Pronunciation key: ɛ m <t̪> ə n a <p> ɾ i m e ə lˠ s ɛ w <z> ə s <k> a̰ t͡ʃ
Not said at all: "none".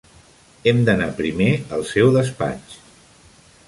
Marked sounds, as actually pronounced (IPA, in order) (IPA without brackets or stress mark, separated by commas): d̪, p, ð, p